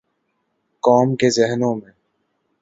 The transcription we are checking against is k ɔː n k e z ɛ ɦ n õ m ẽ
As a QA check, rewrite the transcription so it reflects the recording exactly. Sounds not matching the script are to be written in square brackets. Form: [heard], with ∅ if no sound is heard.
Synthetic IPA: k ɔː [m] k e z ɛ ɦ n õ m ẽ